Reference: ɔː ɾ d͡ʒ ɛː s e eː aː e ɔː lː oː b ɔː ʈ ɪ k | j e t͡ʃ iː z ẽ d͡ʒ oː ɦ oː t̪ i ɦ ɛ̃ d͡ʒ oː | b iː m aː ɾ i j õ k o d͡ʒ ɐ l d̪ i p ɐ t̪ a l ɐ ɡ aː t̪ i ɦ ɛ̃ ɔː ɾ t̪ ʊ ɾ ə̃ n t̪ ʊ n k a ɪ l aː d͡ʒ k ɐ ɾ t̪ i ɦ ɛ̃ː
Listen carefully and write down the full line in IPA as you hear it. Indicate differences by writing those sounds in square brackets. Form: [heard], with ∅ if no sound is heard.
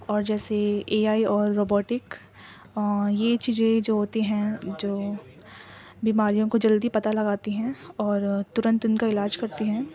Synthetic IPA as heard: ɔː ɾ d͡ʒ ɛː s e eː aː [i] ɔː [ɾː] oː b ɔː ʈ ɪ k | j e t͡ʃ iː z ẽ d͡ʒ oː ɦ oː t̪ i ɦ ɛ̃ d͡ʒ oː | b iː m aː ɾ i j õ k o d͡ʒ ɐ l d̪ i p ɐ t̪ a l ɐ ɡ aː t̪ i ɦ ɛ̃ ɔː ɾ t̪ ʊ ɾ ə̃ n t̪ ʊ n k a ɪ l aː d͡ʒ k ɐ ɾ t̪ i ɦ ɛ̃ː

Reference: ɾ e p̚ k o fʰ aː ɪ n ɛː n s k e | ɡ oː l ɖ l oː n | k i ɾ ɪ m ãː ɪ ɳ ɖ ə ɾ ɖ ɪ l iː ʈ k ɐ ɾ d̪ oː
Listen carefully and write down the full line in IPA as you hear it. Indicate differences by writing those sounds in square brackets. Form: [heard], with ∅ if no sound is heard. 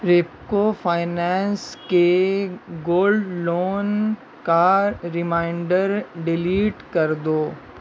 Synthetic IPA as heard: ɾ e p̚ k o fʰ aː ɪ n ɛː n s k e | ɡ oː l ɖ l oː n | k [a] ɾ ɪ m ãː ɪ ɳ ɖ ə ɾ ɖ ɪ l iː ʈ k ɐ ɾ d̪ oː

